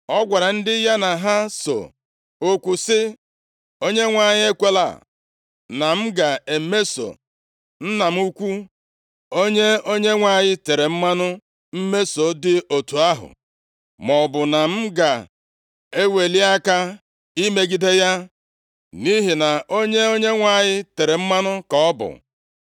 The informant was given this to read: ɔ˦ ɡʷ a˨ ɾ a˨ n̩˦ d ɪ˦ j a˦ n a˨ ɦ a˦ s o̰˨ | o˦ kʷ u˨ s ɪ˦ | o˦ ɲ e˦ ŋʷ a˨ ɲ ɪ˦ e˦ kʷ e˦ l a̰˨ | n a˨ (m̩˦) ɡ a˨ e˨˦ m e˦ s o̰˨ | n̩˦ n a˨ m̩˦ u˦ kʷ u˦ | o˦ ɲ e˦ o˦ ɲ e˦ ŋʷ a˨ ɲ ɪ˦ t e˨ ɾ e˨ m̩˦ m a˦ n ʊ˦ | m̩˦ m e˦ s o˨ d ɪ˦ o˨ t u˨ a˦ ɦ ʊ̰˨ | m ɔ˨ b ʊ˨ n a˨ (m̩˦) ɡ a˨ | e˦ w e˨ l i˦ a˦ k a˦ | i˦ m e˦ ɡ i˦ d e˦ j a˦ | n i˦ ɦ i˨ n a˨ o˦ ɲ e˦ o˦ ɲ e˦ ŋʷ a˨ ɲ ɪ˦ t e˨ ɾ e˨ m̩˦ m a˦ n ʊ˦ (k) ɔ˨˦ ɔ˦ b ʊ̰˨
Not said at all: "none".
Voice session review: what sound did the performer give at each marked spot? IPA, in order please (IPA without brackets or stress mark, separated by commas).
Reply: m̩˦, m̩˦, k